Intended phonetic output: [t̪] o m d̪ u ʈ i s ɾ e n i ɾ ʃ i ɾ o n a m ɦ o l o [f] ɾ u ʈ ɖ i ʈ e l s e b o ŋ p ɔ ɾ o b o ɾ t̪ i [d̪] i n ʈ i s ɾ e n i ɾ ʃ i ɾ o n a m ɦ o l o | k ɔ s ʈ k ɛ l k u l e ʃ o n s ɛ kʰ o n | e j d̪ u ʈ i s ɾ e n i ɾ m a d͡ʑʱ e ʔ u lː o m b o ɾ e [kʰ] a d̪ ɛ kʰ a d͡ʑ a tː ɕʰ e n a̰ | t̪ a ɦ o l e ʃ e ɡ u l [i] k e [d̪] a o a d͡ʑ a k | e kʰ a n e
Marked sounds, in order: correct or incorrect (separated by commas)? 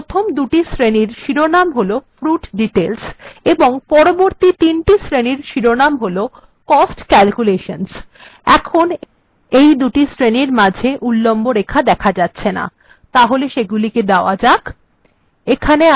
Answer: incorrect, correct, incorrect, correct, correct, correct